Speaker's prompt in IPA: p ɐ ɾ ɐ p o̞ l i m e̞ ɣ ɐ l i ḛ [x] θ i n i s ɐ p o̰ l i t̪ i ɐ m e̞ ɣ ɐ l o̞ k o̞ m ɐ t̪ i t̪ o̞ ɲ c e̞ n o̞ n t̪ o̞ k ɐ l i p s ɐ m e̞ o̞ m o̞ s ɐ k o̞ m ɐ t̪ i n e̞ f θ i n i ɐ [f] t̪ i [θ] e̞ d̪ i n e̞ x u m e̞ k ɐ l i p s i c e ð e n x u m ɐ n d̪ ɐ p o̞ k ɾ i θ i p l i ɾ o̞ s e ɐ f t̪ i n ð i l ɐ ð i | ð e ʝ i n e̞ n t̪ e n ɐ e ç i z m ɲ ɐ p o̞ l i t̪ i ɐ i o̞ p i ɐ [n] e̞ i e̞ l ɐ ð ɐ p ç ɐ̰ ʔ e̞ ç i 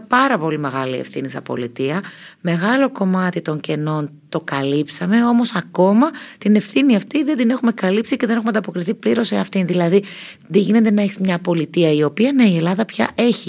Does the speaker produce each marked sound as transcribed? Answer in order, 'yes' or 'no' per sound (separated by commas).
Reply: no, yes, no, yes